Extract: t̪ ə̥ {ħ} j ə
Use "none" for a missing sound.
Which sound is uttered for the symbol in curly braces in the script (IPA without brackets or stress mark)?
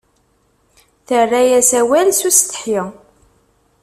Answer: ħ